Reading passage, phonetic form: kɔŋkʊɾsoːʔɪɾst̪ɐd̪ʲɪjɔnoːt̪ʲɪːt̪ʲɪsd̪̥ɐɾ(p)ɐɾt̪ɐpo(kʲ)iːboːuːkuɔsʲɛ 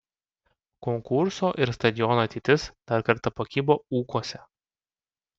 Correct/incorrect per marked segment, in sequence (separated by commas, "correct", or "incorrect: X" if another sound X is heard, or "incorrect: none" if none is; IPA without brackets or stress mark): incorrect: k, correct